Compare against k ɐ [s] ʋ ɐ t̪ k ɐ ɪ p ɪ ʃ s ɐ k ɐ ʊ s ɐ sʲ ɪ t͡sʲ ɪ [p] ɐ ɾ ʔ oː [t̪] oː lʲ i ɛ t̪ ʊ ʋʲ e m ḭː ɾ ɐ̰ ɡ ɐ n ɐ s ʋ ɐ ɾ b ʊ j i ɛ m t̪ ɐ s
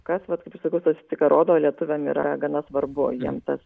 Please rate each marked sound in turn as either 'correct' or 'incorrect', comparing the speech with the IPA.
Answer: correct, incorrect: k, incorrect: d̪

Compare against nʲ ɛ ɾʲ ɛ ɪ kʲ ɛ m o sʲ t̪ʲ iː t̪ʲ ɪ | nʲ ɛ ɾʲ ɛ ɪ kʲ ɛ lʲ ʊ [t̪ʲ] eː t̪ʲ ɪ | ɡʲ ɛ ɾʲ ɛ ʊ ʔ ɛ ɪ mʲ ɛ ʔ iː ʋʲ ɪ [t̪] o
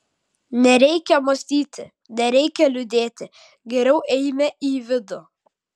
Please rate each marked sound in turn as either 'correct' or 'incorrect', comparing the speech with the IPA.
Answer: incorrect: d̪ʲ, incorrect: d̪

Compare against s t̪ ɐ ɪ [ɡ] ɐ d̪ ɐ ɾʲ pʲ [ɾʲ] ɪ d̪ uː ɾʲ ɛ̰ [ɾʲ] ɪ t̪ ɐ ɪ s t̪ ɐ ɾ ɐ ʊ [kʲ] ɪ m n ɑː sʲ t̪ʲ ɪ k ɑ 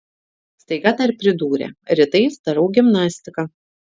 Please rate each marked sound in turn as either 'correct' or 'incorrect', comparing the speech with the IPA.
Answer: correct, correct, correct, incorrect: ɡʲ

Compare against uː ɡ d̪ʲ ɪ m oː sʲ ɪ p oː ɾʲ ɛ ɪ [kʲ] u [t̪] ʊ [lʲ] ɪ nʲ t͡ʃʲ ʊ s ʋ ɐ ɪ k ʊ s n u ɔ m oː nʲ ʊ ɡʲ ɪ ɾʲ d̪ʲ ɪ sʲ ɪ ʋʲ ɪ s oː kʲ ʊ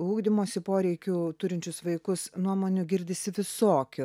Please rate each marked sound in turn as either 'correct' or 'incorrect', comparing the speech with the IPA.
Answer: correct, correct, incorrect: ɾʲ

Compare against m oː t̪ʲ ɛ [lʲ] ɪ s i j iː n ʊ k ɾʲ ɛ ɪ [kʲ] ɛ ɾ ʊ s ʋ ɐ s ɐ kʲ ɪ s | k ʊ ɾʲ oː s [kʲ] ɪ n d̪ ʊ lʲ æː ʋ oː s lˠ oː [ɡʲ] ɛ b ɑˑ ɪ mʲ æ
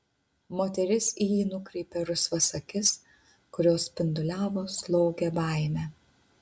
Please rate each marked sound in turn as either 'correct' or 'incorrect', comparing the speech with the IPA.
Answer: incorrect: ɾʲ, incorrect: pʲ, incorrect: pʲ, correct

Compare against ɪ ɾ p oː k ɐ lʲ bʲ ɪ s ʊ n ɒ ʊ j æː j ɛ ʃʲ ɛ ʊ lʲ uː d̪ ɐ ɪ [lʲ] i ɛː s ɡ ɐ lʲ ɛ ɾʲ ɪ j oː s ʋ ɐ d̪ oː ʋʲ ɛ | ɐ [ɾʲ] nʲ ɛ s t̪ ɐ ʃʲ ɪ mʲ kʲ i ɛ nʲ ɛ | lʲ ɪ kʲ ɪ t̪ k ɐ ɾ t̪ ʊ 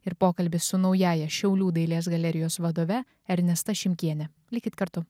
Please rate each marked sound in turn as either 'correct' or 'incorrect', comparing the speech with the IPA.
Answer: correct, correct

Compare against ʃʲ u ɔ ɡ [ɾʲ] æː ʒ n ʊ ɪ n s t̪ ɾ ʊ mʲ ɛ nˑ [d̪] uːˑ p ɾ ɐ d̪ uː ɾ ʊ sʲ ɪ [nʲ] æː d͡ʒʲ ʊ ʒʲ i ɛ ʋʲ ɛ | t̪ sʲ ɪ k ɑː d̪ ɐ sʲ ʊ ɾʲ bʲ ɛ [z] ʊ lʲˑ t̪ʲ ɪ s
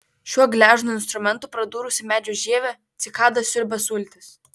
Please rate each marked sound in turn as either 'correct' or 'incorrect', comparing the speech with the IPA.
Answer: incorrect: lʲ, incorrect: t̪, incorrect: mʲ, incorrect: s

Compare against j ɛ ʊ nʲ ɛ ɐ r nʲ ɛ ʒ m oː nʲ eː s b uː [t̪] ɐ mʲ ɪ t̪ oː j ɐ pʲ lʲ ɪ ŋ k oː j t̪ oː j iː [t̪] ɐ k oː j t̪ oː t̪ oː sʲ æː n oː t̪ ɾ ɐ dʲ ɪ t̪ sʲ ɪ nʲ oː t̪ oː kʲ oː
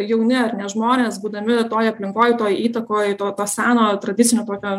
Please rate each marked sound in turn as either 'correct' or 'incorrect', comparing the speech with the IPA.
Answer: incorrect: d̪, correct

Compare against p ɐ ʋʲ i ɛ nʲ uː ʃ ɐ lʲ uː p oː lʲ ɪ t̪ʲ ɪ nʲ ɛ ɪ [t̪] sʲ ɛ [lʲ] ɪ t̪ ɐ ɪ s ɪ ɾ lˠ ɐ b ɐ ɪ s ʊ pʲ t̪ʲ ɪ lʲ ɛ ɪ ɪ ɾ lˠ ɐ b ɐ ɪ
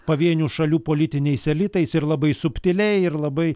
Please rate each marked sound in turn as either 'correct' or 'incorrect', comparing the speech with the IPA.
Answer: incorrect: none, correct

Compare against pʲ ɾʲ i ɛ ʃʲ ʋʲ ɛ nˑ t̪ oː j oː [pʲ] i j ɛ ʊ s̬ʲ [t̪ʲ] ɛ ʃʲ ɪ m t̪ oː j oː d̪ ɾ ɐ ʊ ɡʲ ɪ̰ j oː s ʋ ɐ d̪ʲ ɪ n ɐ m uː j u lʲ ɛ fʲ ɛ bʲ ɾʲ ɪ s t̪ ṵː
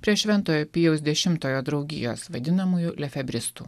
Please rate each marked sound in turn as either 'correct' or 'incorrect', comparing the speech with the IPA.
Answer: correct, incorrect: d̪ʲ

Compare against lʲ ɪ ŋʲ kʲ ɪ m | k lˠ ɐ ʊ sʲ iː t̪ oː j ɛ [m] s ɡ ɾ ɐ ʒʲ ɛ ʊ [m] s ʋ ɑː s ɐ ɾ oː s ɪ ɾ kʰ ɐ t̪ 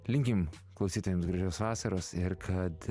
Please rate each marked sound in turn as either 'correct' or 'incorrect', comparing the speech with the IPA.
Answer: correct, incorrect: none

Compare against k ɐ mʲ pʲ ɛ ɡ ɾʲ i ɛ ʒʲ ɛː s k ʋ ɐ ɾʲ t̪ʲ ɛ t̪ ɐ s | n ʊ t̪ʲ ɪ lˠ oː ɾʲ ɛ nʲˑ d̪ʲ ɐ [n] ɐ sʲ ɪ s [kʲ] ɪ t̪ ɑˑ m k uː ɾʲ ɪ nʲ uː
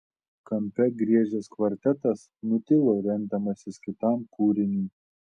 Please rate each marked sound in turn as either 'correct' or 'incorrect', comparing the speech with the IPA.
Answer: incorrect: m, correct

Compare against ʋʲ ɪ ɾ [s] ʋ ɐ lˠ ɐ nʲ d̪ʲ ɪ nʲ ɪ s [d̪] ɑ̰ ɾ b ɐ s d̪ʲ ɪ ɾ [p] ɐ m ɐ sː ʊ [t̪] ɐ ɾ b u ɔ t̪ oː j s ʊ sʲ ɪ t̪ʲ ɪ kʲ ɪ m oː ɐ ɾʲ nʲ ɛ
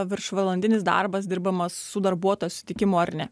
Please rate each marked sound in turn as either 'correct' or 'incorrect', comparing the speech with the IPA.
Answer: incorrect: ʃ, correct, incorrect: b, incorrect: d̪

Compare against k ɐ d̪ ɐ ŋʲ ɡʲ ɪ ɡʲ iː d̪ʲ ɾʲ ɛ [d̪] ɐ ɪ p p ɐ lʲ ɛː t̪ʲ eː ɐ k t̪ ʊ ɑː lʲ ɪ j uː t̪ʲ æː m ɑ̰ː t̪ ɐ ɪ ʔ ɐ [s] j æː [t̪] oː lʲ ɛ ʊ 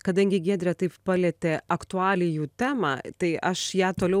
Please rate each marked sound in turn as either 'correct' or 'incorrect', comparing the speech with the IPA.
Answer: incorrect: t̪, incorrect: ʃ, correct

